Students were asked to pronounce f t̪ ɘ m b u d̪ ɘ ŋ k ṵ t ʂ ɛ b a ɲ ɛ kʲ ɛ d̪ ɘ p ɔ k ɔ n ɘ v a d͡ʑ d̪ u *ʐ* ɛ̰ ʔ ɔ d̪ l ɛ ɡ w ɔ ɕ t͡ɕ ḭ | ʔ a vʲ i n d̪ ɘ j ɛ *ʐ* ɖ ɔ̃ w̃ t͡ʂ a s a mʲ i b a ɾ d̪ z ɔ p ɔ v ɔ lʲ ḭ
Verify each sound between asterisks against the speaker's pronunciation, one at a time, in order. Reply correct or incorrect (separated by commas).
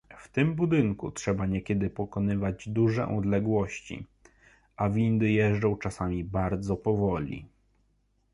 correct, correct